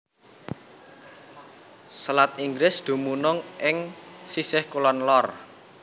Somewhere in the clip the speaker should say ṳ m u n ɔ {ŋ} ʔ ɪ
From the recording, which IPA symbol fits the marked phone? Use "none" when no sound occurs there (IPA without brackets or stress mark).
ŋ